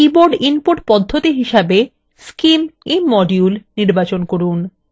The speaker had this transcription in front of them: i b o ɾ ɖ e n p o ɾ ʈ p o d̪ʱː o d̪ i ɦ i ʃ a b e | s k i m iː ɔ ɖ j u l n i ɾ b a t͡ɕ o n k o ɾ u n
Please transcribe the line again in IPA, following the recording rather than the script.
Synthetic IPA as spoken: i b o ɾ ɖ i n p o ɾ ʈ p ɔ d̪ʱː o t̪ i ɦ i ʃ a b e | s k i m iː ɔ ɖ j u l n i ɾ b a t͡ɕ o n k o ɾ u n